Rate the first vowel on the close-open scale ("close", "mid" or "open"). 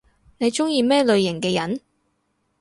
mid